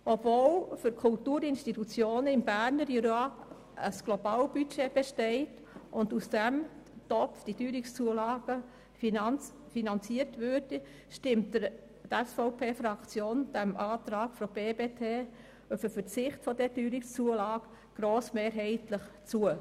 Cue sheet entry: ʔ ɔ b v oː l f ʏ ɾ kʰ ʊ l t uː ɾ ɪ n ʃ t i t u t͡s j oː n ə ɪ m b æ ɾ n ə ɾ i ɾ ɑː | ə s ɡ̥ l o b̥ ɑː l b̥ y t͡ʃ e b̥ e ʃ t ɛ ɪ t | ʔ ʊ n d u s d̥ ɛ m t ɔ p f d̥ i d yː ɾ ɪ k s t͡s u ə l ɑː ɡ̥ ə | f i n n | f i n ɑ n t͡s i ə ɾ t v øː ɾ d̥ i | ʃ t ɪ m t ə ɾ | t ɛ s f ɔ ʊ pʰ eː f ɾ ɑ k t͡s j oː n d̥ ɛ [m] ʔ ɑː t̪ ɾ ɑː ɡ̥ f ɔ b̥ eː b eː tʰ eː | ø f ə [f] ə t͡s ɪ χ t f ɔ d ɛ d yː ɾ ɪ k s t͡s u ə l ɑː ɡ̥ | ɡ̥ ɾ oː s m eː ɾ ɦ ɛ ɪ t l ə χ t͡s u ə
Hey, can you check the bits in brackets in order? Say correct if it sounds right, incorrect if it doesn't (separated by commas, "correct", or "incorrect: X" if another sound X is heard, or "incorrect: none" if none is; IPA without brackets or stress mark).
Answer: correct, correct